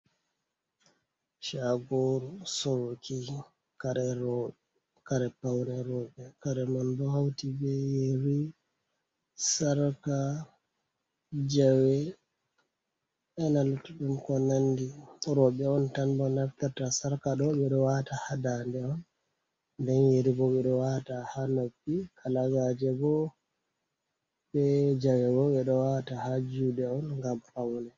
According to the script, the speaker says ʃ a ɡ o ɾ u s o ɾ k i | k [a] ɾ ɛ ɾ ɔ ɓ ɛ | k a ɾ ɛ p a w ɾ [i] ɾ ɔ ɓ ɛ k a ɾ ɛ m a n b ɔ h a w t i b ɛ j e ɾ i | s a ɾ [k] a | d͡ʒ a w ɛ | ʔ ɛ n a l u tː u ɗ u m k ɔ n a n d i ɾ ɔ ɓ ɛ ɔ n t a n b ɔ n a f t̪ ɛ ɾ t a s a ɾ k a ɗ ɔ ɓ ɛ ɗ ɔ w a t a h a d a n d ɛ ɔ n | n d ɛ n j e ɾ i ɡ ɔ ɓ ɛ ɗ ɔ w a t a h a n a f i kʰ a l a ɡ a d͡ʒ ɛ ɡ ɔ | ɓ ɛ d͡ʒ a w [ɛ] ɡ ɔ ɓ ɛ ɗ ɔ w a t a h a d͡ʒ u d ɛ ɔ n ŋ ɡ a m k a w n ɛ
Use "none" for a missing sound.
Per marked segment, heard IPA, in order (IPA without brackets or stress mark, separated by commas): a, ɛ, k, ɛ